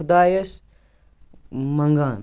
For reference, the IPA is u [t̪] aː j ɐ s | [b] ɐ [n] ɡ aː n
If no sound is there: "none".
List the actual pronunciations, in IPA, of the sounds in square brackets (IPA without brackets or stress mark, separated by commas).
d̪, m, ŋ